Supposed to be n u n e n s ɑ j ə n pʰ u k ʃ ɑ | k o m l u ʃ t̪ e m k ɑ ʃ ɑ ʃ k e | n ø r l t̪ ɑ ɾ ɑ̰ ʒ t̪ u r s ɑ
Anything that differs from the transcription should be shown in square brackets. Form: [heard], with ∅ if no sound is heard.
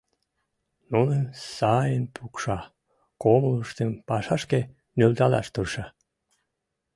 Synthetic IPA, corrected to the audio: n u n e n s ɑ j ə n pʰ u k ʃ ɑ | k o m l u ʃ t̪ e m [p] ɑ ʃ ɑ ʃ k e | n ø [∅] l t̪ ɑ [l] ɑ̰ [ʃ] t̪ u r [ʃ] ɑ

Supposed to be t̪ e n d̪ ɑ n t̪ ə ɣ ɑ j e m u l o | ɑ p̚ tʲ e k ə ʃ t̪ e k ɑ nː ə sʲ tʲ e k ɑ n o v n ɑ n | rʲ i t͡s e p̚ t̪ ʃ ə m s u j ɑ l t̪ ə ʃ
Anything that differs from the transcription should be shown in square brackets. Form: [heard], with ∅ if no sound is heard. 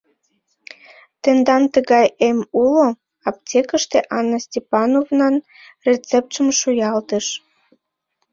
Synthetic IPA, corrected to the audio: t̪ e n d̪ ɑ n t̪ ə ɣ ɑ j e m u l o | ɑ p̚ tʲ e k ə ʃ t̪ e [ʔ] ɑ nː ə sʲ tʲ e [p] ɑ n o v n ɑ n | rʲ [e] t͡s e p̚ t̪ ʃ ə m [ʃ] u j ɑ l t̪ ə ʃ

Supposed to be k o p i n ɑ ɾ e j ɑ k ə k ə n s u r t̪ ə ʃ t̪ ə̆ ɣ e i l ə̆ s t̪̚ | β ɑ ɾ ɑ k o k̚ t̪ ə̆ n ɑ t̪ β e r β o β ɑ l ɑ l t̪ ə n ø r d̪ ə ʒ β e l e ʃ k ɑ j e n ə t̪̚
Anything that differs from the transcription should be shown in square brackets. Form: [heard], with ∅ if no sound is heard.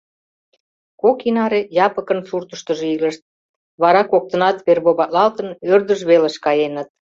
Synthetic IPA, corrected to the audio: k o [k] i n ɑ ɾ e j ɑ [p] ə k ə n s u r t̪ ə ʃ t̪ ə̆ [ʒ] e i l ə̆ [ʃ] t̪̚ | β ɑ ɾ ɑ k o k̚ t̪ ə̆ n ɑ t̪ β e r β o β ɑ l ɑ l t̪ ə n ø r d̪ ə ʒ β e l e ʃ k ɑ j e n ə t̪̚

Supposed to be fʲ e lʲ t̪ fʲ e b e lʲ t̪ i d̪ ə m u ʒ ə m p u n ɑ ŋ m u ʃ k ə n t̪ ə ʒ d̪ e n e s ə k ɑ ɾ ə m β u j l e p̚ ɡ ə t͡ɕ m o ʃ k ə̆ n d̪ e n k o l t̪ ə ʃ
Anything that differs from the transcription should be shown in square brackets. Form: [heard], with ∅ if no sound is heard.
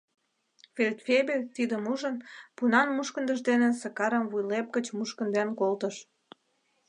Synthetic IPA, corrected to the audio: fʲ e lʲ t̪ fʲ e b e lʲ t̪ i d̪ ə m u ʒ ə [n] p u n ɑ [n] m u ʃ k ə n [d̪] ə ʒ d̪ e n e s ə k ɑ ɾ ə m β u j l e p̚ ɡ ə t͡ɕ m [u] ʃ k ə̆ n d̪ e n k o l t̪ ə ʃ

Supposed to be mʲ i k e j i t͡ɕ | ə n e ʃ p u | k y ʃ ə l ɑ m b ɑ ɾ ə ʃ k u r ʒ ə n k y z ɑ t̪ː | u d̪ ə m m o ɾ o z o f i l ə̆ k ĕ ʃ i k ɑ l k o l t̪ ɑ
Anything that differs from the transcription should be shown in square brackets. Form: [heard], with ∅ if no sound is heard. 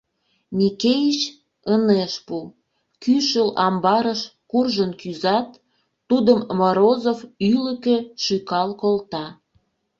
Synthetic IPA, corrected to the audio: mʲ i k e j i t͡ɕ | ə n e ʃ p u | k y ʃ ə l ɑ m b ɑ ɾ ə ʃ k u r ʒ ə n k y z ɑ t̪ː | u d̪ ə m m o ɾ o z o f [y] l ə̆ k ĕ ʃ [y] k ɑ l k o l t̪ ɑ

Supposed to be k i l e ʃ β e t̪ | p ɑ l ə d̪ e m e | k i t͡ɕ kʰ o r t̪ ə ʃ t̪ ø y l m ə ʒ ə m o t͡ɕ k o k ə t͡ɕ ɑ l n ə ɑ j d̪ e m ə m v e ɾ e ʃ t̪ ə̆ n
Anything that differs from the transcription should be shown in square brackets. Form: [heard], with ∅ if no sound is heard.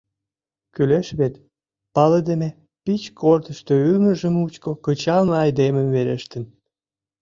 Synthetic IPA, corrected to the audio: k [y] l e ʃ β e t̪ | p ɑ l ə d̪ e m e | [p] i t͡ɕ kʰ o r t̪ ə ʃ t̪ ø y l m ə ʒ ə m [u] t͡ɕ k o k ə t͡ɕ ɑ l n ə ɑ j d̪ e m ə m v e ɾ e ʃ t̪ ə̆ n

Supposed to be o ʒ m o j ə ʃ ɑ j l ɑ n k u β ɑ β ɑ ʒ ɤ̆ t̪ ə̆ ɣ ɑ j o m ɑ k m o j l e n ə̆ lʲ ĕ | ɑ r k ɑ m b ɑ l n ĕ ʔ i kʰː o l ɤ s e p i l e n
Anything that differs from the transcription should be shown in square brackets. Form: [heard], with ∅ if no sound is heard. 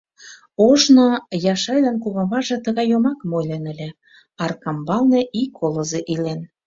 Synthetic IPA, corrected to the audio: o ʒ [n] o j [ɑ] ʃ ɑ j l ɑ n k u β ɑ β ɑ ʒ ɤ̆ t̪ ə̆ ɣ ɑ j o m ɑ k m o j l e n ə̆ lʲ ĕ | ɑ r k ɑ m b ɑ l n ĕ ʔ i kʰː o l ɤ [z] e [ʔ] i l e n

